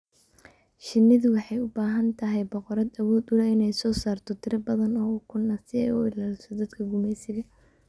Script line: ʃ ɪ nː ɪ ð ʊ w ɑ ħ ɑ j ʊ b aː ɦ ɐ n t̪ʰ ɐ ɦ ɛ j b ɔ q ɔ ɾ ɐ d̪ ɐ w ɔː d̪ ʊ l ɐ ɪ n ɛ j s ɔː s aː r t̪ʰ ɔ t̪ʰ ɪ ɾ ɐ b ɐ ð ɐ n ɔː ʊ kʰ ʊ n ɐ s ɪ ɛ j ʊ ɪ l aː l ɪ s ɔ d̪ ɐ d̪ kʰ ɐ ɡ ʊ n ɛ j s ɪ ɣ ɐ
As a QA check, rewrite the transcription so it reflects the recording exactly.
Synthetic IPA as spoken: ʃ ɪ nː ɪ ð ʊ w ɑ ħ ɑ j ʊ b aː ɦ ɐ n t̪ʰ ɐ ɦ ɛ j b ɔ q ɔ ɾ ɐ d̪ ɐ w ɔː d̪ ʊ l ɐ ɪ n ɛ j s ɔː s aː r t̪ʰ ɔ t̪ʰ ɪ ɾ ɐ b ɐ ð ɐ n ɔː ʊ kʰ ʊ n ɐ s ɪ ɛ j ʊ ɪ l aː l ɪ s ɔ d̪ ɐ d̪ kʰ ɐ ɡ ʊ m ɛ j s ɪ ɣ ɐ